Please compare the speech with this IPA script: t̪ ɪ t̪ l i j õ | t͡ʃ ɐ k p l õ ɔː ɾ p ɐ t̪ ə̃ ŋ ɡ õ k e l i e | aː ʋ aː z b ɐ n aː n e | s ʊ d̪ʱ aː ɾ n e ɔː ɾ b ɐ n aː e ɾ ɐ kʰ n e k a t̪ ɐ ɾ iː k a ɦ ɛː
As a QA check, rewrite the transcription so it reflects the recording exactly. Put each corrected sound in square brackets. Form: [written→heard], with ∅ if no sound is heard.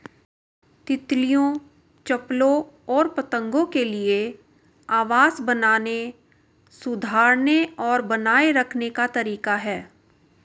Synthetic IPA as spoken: t̪ ɪ t̪ l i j õ | t͡ʃ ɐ [k→∅] p l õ ɔː ɾ p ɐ t̪ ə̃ ŋ ɡ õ k e l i e | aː ʋ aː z b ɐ n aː n e | s ʊ d̪ʱ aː ɾ n e ɔː ɾ b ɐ n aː e ɾ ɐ kʰ n e k a t̪ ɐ ɾ iː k a ɦ ɛː

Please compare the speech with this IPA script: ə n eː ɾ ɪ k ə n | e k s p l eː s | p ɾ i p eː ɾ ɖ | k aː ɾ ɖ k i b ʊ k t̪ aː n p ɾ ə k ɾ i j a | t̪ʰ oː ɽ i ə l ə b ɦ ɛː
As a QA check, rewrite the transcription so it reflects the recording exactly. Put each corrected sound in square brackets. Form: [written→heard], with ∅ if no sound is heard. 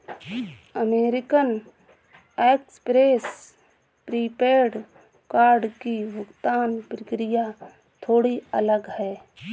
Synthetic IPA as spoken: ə [n→m] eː ɾ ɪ k ə n | e k s p [l→ɾ] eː s | p ɾ i p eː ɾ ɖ | k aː ɾ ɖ k i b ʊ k t̪ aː n p ɾ ə k ɾ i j a | t̪ʰ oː ɽ i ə l ə [b→ɡ] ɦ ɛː

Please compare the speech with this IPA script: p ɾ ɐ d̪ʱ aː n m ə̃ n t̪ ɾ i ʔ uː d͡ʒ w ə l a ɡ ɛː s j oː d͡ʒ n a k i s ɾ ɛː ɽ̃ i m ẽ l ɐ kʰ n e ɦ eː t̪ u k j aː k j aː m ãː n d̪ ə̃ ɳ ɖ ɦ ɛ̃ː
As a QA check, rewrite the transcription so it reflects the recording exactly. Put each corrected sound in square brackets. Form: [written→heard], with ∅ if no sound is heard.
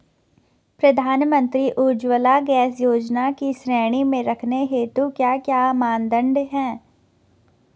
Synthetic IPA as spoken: p ɾ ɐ d̪ʱ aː n m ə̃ n t̪ ɾ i ʔ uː d͡ʒ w ə l a ɡ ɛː s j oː d͡ʒ n a k i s ɾ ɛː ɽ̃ i m ẽ [l→ɾ] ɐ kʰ n e ɦ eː t̪ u k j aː k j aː m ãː n d̪ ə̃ ɳ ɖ ɦ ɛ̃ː

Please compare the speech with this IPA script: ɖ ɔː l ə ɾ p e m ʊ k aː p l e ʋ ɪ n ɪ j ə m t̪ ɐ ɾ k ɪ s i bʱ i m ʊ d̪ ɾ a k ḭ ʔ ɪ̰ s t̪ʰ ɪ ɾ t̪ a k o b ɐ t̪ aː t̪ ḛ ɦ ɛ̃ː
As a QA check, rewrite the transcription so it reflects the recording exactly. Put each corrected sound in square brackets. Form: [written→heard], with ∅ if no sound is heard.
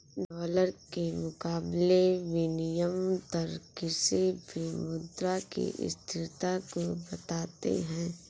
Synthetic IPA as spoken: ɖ ɔː l ə ɾ [p→k] e m ʊ k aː [p→b] l e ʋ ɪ n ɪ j ə m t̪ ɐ ɾ k ɪ s i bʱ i m ʊ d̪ ɾ a k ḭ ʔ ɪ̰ s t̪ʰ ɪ ɾ t̪ a k o b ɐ t̪ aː t̪ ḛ ɦ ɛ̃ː

